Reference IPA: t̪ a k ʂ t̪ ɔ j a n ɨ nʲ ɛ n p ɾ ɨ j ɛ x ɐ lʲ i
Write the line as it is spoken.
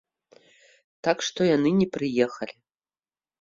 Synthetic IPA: t̪ a k ʂ t̪ ɔ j a n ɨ nʲ ɛ p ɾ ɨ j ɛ x ɐ lʲ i